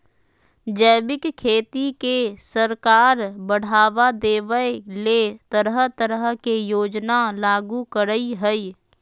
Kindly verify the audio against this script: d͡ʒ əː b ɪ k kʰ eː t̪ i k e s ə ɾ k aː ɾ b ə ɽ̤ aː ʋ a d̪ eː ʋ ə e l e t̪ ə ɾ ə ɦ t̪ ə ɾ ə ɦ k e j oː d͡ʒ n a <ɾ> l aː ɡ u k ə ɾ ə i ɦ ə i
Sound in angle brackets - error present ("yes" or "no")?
yes